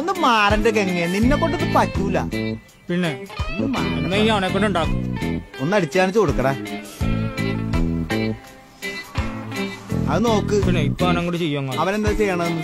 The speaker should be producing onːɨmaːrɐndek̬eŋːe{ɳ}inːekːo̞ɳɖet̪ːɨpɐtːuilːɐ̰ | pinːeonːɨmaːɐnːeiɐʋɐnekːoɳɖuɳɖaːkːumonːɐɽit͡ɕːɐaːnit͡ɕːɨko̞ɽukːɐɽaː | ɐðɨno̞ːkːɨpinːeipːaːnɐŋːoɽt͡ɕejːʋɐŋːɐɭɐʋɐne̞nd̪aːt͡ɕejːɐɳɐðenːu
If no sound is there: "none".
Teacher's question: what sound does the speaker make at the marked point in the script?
n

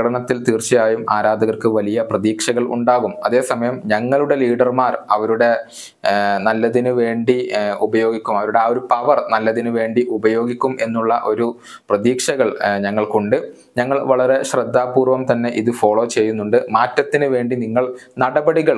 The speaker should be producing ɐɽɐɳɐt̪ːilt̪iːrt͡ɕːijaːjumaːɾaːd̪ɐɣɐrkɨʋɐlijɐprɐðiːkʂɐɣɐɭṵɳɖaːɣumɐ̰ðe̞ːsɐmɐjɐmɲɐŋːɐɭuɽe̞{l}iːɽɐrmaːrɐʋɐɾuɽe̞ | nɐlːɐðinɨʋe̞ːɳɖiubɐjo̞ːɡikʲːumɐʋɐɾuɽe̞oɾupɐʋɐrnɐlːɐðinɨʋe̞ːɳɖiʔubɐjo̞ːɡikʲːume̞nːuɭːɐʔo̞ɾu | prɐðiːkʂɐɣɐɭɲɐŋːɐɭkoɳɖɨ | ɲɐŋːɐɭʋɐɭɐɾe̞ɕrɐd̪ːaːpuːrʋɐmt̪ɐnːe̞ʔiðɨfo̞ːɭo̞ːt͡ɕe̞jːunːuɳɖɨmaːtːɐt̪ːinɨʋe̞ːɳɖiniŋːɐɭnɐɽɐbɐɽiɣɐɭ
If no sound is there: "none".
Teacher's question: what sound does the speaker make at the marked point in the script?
l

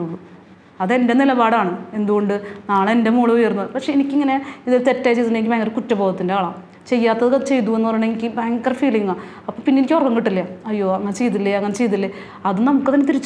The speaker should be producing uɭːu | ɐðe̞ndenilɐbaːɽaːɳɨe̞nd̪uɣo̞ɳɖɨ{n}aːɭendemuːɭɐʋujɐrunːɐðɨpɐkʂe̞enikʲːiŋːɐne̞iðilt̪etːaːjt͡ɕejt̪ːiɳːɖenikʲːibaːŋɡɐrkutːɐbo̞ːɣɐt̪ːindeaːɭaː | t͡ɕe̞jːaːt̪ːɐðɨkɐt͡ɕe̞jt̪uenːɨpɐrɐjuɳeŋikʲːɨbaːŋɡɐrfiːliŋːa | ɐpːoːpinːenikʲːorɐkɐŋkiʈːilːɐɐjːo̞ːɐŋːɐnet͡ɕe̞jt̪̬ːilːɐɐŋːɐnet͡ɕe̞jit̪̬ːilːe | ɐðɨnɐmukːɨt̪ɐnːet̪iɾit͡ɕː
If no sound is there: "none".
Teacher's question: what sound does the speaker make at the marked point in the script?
n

